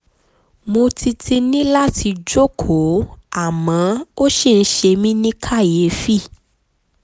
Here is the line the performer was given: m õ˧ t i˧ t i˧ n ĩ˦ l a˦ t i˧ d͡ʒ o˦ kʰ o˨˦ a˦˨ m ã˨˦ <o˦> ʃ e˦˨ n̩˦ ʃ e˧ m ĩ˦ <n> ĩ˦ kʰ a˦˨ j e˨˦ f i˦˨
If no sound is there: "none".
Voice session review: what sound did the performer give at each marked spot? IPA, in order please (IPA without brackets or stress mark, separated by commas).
o˦, n